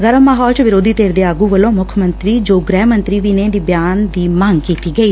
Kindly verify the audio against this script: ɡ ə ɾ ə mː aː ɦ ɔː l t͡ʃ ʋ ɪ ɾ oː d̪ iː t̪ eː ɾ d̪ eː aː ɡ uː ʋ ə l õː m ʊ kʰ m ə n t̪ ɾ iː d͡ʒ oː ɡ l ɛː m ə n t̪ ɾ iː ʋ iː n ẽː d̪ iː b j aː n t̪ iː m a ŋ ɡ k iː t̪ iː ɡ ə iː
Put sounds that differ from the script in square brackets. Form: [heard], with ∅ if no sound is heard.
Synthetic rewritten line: ɡ ə ɾ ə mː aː ɦ ɔː l t͡ʃ ʋ ɪ ɾ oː d̪ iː t̪ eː ɾ d̪ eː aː ɡ uː ʋ ə l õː m ʊ kʰ m ə n t̪ ɾ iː d͡ʒ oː ɡ [ɾ] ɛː m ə n t̪ ɾ iː ʋ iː n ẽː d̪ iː b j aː n [d̪] iː m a ŋ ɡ k iː t̪ iː ɡ ə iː